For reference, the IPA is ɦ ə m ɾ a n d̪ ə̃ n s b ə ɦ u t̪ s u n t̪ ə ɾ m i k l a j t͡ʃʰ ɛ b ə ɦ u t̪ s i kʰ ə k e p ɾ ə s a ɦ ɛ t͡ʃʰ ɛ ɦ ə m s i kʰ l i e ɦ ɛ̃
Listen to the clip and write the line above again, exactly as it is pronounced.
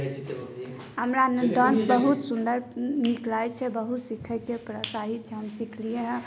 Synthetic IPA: ɦ ə m ɾ a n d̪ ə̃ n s b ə ɦ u t̪ s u n d̪ ə ɾ n i k l a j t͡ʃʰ ɛ b ə ɦ u t̪ s i kʰ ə k e p ɾ ə s a ɦ i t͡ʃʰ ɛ ɦ ə m s i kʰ l i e ɦ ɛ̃